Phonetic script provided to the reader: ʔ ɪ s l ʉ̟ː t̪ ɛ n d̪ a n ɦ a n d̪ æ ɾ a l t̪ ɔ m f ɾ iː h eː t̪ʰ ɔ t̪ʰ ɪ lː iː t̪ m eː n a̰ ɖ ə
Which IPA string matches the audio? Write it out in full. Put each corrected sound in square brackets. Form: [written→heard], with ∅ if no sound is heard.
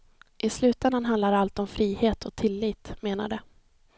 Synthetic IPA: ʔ ɪ s l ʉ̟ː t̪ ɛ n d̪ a n ɦ a n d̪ [æ→a] ɾ a l t̪ ɔ m f ɾ iː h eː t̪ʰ ɔ t̪ʰ ɪ lː iː t̪ m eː n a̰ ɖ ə